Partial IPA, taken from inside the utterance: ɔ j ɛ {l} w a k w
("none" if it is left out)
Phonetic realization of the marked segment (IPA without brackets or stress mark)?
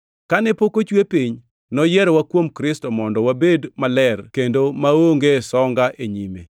ɾ